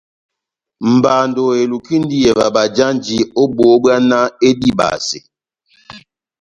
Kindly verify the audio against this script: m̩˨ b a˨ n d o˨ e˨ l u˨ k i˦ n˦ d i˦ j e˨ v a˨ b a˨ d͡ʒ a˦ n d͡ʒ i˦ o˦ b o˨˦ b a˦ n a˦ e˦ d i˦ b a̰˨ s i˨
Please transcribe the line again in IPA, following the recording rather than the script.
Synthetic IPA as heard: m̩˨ b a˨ n d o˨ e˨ l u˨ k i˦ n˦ d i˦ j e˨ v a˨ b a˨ d͡ʒ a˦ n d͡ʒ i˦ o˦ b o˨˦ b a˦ n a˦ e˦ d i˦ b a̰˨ s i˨